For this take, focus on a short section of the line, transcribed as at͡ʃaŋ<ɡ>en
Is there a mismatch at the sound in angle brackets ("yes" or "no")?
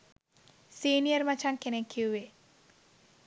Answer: yes